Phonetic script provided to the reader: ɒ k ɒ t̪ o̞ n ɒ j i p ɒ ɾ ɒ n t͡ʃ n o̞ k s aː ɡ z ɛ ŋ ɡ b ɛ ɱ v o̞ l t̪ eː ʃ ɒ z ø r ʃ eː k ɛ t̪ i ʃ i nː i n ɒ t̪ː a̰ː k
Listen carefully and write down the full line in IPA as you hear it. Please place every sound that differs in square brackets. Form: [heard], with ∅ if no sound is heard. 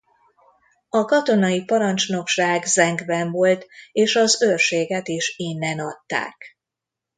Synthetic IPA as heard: ɒ k ɒ t̪ o̞ n ɒ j i p ɒ ɾ ɒ n t͡ʃ n o̞ k [ʃ] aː ɡ z ɛ ŋ ɡ b ɛ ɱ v o̞ l t̪ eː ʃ ɒ z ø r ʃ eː [ɡ] ɛ t̪ i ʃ i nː [ɛ] n ɒ t̪ː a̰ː k